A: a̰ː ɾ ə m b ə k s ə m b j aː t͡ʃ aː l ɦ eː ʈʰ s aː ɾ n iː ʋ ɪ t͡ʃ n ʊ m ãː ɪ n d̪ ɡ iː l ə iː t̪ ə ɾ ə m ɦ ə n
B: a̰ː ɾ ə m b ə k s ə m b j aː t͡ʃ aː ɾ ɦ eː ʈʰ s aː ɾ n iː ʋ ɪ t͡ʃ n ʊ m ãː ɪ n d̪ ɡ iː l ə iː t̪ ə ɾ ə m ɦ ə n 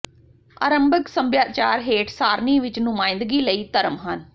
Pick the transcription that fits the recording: B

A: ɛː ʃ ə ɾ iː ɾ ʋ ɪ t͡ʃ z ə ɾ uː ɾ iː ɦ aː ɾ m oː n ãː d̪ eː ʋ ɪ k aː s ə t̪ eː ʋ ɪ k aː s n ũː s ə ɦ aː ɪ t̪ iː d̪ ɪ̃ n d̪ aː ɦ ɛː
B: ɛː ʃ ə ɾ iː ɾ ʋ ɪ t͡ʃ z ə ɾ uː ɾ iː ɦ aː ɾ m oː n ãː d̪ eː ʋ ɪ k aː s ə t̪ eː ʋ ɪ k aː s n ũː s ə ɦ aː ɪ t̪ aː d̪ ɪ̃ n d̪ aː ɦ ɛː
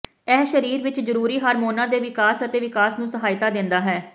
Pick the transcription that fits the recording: B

